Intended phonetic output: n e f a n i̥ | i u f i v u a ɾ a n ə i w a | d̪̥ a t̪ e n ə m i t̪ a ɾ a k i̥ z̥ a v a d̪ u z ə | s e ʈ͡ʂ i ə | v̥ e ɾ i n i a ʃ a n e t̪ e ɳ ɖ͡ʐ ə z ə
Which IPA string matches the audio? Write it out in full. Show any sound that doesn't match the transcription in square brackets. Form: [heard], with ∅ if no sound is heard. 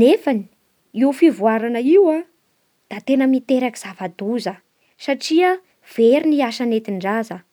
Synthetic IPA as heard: n e f a n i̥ | i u f i v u a ɾ a n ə i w a | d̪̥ a t̪ e n ə m i t̪ [e] ɾ a k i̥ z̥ a v a d̪ u z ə | s [a] ʈ͡ʂ i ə | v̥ e ɾ i n i a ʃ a n e t̪ [i] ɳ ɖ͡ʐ [a] z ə

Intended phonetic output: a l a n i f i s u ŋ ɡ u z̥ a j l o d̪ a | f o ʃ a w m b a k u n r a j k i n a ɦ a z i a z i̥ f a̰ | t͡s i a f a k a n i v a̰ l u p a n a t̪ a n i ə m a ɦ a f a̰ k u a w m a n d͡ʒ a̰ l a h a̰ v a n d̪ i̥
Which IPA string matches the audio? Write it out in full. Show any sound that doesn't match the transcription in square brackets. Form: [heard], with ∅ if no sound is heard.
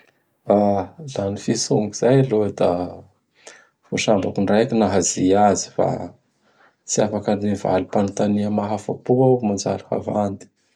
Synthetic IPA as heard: a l a n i f i s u ŋ ɡ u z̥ a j l o d̪ a | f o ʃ a [∅] m b a k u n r a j k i n a ɦ a z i a z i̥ f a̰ | t͡s i a f a k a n i v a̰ l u p a n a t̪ a n i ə m a ɦ a f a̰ [p] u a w m a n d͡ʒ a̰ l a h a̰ v a n d̪ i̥

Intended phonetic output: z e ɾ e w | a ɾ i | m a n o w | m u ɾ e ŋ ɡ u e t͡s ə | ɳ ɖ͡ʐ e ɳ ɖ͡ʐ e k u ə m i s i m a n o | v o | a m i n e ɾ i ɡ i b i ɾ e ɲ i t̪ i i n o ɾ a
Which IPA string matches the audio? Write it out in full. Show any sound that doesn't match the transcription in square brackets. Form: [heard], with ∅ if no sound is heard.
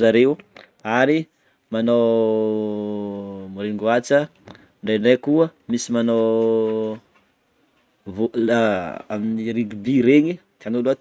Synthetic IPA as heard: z [a] ɾ e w | a ɾ i | m a n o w | m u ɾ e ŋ ɡ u [a] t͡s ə | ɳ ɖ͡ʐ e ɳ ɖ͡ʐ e k u ə m i s i m a n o | v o | a m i n [i] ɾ i ɡ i b i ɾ e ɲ i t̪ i [a] n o [l] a

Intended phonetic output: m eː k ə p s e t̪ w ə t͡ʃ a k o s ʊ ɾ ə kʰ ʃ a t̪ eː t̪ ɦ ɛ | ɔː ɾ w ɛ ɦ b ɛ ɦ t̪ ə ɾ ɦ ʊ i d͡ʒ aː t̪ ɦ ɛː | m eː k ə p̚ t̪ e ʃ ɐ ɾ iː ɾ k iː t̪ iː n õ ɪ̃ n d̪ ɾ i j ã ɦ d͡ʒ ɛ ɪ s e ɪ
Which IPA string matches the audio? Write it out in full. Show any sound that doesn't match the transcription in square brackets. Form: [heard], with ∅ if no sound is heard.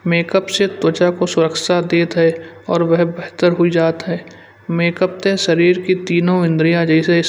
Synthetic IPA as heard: m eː k ə p s e t̪ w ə t͡ʃ a k o s ʊ ɾ ə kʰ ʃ a [d̪] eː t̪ ɦ ɛ | ɔː ɾ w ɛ ɦ b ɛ ɦ t̪ ə ɾ ɦ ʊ i d͡ʒ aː t̪ ɦ ɛː | m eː k ə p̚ t̪ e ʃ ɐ ɾ iː ɾ k [i] t̪ iː n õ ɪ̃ n d̪ ɾ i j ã [∅] d͡ʒ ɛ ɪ s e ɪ

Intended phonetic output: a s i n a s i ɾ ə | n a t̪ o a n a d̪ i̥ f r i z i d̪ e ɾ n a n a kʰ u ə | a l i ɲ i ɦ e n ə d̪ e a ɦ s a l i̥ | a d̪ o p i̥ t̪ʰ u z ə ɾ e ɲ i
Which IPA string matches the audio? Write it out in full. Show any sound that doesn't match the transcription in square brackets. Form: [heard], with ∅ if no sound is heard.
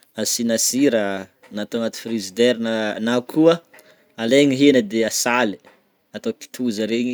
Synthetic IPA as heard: a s i n a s i ɾ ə | n a t̪ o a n a [t̪] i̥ f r i z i d̪ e ɾ n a n a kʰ u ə | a l [e] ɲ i ɦ e n ə d̪ e a [∅] s a l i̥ | a [t̪] o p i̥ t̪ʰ u z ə ɾ e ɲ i

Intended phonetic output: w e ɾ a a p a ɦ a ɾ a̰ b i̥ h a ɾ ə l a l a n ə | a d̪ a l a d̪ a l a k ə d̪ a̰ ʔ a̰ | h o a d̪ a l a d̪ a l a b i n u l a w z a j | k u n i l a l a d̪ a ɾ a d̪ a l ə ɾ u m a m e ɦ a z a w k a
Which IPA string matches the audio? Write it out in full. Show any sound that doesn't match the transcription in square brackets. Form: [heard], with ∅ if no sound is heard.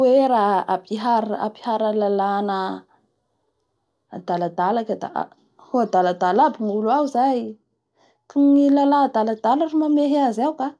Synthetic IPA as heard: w e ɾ a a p [i] ɦ a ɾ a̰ [p] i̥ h a ɾ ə l a l a n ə | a d̪ a l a d̪ a l a k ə d̪ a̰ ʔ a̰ | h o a d̪ a l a d̪ a l a b i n u l a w z a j | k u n i l a l a d̪ a [l] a d̪ a l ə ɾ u m a m e ɦ a z a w k a

